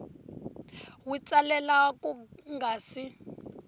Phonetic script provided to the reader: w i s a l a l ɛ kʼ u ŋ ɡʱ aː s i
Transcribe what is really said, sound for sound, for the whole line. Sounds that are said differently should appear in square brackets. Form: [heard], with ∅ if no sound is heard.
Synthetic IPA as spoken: w i [t͡s] a l [ɛ] l [a] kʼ u ŋ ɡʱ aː s i